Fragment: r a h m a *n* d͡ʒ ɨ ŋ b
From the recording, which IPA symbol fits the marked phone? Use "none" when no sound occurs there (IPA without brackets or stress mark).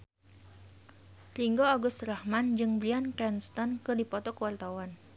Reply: n